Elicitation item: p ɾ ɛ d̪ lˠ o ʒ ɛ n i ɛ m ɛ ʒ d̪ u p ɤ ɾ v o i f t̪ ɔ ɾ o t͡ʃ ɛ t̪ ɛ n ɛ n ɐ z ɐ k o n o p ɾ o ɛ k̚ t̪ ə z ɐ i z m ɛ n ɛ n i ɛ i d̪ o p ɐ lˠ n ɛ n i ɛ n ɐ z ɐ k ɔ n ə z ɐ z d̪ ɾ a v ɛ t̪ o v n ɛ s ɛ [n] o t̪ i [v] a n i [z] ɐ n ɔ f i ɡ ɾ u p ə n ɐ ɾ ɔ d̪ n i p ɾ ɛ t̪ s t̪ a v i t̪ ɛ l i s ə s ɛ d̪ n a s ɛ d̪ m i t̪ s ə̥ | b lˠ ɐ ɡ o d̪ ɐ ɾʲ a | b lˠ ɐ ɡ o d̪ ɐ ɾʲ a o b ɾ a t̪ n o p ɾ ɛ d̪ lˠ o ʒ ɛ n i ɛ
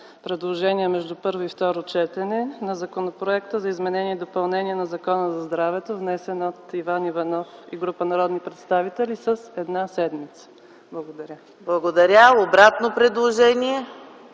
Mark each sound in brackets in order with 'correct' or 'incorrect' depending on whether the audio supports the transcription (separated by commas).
correct, correct, incorrect